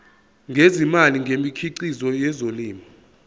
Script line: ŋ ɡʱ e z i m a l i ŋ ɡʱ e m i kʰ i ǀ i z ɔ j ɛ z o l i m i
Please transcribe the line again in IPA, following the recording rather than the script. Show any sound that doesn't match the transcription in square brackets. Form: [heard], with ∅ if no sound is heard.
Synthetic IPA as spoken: ŋ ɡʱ e z i m a l i ŋ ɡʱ e m i kʰ i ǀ i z ɔ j ɛ z o l [iː] m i